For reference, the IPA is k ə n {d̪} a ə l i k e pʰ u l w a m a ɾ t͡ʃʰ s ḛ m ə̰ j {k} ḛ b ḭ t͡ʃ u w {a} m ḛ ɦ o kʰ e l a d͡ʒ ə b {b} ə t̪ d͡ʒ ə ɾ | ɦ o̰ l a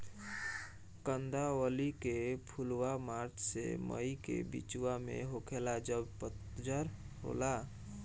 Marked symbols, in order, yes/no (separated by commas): yes, yes, yes, no